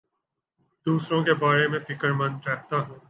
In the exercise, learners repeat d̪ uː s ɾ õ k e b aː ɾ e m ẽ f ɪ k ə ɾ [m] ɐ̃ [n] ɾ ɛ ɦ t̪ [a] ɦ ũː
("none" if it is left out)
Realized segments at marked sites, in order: m, n, a

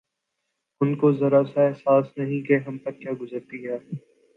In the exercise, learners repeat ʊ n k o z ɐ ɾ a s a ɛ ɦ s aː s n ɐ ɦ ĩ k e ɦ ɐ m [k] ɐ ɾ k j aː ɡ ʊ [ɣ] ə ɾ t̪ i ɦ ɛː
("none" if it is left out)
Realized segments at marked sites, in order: p, z

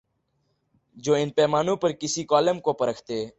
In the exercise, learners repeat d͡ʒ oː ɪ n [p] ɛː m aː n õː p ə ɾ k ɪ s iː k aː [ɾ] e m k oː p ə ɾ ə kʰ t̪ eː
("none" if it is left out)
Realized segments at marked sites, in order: p, l

